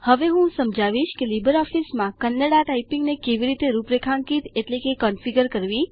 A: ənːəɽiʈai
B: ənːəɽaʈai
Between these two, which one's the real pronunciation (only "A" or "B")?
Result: B